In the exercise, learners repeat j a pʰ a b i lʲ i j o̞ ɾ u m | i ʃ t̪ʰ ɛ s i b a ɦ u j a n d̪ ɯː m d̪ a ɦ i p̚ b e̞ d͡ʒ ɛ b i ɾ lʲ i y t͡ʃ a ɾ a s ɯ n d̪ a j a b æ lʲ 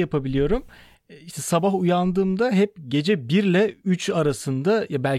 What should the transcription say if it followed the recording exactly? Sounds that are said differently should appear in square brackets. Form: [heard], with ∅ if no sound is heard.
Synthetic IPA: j a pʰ a b i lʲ i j o̞ ɾ u m | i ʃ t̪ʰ ɛ s [a] b a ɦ u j a n d̪ ɯː m d̪ a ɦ [ɛ] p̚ [ɟ] e̞ d͡ʒ ɛ b i ɾ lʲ [ɛ] y t͡ʃ a ɾ a s ɯ n d̪ a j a b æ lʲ